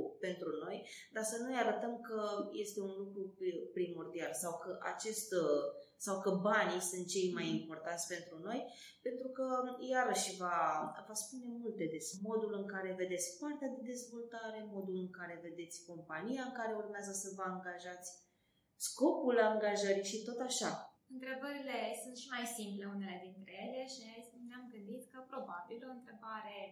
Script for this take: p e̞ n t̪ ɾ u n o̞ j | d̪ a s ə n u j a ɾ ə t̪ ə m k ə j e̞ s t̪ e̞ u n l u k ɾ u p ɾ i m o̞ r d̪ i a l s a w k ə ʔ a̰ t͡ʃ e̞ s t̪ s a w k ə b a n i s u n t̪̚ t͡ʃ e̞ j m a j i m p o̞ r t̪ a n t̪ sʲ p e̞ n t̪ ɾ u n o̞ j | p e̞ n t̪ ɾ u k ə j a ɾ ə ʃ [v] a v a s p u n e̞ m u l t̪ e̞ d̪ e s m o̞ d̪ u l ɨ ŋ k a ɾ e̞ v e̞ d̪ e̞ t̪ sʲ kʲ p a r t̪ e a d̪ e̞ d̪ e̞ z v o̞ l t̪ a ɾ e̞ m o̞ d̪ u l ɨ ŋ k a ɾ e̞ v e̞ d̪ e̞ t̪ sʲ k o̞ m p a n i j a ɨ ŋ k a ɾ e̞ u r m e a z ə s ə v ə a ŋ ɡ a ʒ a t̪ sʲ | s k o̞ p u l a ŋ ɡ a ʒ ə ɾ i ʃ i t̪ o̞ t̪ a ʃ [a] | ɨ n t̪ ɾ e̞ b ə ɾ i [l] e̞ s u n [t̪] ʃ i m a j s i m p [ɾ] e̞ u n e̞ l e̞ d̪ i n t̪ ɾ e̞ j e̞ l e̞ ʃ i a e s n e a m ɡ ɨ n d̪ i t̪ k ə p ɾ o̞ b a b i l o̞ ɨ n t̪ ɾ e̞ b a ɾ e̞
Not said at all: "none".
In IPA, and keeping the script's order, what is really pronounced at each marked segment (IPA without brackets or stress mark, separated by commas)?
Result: v, a, l, t̪, l